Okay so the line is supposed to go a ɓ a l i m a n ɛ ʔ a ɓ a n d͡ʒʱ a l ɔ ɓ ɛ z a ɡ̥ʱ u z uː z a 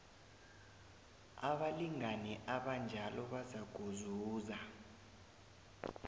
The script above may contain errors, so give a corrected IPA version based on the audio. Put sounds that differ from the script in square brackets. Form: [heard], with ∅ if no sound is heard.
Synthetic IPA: a ɓ a l i [ŋ] a n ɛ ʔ a ɓ a n d͡ʒʱ a l ɔ ɓ [a] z a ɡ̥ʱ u z uː z a

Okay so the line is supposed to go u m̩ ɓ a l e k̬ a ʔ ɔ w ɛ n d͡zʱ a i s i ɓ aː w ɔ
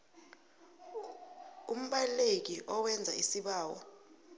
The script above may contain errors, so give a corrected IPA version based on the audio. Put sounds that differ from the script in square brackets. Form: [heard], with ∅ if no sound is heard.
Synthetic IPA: u m̩ ɓ a l e k̬ [i] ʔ ɔ w ɛ n d͡zʱ a i s i ɓ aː w ɔ

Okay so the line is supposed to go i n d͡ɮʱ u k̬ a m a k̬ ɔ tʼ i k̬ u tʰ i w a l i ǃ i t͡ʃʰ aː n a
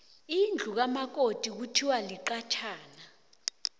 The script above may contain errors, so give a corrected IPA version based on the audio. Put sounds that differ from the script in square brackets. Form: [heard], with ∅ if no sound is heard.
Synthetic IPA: i n d͡ɮʱ u k̬ a m a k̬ [o] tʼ i k̬ u tʰ i w a l i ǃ [a] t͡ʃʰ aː n a

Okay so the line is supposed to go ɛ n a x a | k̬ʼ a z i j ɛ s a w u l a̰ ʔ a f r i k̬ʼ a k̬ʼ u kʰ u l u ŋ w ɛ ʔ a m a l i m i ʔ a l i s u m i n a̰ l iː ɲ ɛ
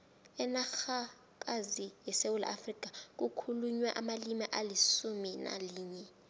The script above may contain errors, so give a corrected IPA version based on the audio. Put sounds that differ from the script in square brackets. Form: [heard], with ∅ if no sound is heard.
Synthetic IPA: ɛ n a x a | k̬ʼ a z i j ɛ s [e] w u l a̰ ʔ a f r i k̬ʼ a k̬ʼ u kʰ u l u [ɲ] w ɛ ʔ a m a l i m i ʔ a l i s u m i n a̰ l iː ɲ ɛ

